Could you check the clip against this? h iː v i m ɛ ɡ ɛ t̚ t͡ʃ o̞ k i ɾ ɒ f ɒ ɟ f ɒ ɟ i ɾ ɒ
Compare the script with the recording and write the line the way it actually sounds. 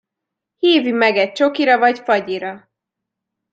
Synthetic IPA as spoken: h iː v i m ɛ ɡ ɛ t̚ t͡ʃ o̞ k i ɾ ɒ v ɒ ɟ f ɒ ɟ i ɾ ɒ